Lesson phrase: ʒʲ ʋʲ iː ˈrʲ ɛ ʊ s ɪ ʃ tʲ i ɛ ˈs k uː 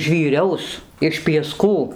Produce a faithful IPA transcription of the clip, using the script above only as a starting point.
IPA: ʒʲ ʋʲ iː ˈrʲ ɛ ʊ s ɪ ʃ pʲ i ɛ ˈs k uː